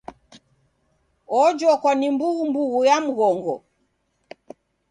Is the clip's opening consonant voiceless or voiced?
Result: voiced